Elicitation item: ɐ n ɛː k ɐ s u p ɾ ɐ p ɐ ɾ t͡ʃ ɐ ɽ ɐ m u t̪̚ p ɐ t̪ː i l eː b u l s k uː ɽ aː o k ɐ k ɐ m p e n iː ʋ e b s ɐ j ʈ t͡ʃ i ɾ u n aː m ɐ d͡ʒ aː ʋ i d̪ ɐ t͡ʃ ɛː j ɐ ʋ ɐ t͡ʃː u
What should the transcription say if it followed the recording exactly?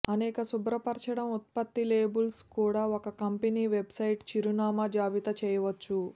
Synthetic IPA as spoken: ɐ n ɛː k ɐ s u b ɾ ɐ p ɐ ɾ t͡ʃ ɐ ɽ ɐ m u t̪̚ p ɐ t̪ː i l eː b u l s k uː ɽ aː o k ɐ k ɐ m p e n iː ʋ e b s ɐ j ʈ t͡ʃ i ɾ u n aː m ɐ d͡ʒ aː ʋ i t̪ ɐ t͡ʃ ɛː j ɐ ʋ ɐ t͡ʃː u

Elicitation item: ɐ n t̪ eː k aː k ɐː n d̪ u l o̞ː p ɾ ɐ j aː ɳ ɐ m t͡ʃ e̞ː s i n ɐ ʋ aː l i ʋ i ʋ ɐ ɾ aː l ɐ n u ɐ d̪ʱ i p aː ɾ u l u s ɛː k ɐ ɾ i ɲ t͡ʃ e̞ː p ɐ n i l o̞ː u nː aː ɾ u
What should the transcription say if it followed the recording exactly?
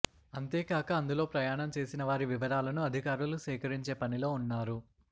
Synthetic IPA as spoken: ɐ n t̪ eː k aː k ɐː n d̪ u l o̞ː p ɾ ɐ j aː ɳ ɐ m t͡ʃ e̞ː s i n ɐ ʋ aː ɾ i ʋ i ʋ ɐ ɾ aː l ɐ n u ɐ d̪ʱ i k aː ɾ u l u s ɛː k ɐ ɾ i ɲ t͡ʃ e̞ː p ɐ n i l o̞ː u nː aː ɾ u

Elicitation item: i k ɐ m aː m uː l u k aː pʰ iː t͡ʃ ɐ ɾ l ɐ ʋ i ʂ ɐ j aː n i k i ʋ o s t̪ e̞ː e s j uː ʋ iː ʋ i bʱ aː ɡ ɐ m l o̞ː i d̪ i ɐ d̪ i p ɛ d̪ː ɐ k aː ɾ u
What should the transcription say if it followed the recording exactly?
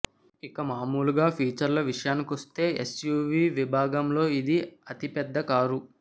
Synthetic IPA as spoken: i k ɐ m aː m uː l u ɡ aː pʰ iː t͡ʃ ɐ ɾ l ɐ ʋ i ʂ ɐ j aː n i k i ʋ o s t̪ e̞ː e s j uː ʋ iː ʋ i bʱ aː ɡ ɐ m l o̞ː i d̪ i ɐ t̪ i p ɛ d̪ː ɐ k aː ɾ u

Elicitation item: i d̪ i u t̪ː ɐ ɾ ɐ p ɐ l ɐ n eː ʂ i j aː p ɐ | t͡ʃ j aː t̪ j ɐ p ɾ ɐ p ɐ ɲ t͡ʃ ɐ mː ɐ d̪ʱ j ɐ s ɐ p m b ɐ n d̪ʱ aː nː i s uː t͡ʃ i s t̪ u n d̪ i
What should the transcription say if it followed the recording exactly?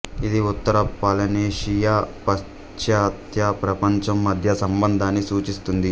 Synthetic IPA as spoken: i d̪ i u t̪ː ɐ ɾ ɐ p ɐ l ɐ n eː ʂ i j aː p ɐ | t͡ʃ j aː t̪ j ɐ p ɾ ɐ p ɐ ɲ t͡ʃ ɐ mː ɐ d̪ʱ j ɐ s ɐ m b ɐ n d̪ʱ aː nː i s uː t͡ʃ i s t̪ u n d̪ i

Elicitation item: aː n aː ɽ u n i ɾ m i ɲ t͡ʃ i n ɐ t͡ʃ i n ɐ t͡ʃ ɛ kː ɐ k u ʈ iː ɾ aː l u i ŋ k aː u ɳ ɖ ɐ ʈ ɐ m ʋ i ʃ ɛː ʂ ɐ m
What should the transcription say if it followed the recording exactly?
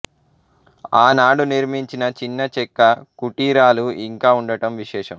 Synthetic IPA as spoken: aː n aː ɽ u n i ɾ m i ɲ t͡ʃ i n ɐ t͡ʃ i nː ɐ t͡ʃ ɛ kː ɐ k u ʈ iː ɾ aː l u i ŋ k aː u ɳ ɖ ɐ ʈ ɐ m ʋ i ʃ ɛː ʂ ɐ m

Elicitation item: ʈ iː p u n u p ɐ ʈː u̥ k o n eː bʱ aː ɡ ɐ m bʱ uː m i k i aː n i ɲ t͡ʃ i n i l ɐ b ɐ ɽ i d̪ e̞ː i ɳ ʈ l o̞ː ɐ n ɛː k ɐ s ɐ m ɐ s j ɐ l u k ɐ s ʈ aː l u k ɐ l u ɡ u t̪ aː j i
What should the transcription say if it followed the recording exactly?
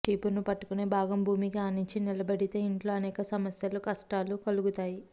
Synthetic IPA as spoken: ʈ iː p u n u p ɐ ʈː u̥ k u n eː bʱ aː ɡ ɐ m bʱ uː m i k i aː n i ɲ t͡ʃ i n i l ɐ b ɐ ɽ i t̪ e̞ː i ɳ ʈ l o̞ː ɐ n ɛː k ɐ s ɐ m ɐ s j ɐ l u k ɐ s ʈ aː l u k ɐ l u ɡ u t̪ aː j i

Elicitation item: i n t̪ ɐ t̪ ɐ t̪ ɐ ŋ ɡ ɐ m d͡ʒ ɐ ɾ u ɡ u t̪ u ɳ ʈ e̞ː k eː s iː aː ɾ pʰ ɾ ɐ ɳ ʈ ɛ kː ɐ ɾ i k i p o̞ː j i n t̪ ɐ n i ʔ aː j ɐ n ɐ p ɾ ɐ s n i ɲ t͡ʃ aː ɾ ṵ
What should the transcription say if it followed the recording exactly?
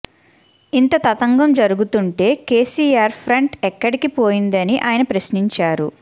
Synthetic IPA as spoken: i n t̪ ɐ t̪ ɐ t̪ ɐ ŋ ɡ ɐ m d͡ʒ ɐ ɾ u ɡ u t̪ u ɳ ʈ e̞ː k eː s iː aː ɾ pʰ ɾ ɐ ɳ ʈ ɛ kː ɐ ɽ i k i p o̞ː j i n d̪ ɐ n i ʔ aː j ɐ n ɐ p ɾ ɐ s n i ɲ t͡ʃ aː ɾ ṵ

